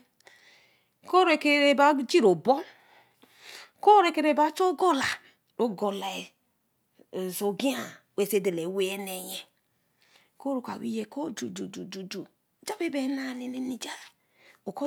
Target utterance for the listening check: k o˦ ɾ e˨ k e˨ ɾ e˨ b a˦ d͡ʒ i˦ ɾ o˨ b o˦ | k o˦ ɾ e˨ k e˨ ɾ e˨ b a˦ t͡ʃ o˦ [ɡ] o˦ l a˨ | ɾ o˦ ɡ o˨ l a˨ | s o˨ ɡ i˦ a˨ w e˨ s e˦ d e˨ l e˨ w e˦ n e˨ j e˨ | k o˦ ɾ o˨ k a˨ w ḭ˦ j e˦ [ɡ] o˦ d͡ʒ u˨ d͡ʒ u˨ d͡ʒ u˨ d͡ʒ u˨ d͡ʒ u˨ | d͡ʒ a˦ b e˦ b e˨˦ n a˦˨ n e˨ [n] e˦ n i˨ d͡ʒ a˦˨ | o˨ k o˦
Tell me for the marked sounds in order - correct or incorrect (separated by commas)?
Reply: correct, incorrect, correct